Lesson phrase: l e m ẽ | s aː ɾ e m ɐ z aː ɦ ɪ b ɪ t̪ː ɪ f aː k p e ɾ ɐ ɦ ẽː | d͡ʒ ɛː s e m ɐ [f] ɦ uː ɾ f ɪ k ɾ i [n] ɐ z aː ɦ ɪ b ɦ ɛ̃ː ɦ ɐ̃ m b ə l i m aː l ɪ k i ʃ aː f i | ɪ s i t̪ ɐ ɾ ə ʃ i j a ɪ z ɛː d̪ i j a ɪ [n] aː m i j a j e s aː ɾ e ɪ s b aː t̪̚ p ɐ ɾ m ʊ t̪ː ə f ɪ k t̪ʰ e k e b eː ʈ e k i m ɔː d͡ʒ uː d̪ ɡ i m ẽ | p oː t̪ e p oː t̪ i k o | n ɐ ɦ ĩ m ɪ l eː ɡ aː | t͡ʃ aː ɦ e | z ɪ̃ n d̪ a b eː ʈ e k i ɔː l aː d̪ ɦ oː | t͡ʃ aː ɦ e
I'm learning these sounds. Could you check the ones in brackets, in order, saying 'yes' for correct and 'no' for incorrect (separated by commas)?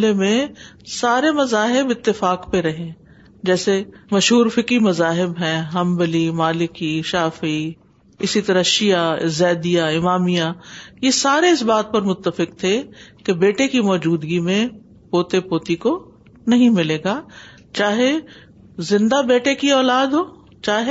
no, no, no